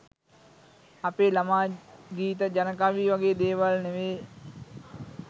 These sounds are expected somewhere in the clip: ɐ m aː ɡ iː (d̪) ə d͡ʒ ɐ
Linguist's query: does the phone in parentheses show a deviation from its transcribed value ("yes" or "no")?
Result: yes